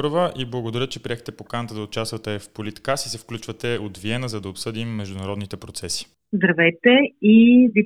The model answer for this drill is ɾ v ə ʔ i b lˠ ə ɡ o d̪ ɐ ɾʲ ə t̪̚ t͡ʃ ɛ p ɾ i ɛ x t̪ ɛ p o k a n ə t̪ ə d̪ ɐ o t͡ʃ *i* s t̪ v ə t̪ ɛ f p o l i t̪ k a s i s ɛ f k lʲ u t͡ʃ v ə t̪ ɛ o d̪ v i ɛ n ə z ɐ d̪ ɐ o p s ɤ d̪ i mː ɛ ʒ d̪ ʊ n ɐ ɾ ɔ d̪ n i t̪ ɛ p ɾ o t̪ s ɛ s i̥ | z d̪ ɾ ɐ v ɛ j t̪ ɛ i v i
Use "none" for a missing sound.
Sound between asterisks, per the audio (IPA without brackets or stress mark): a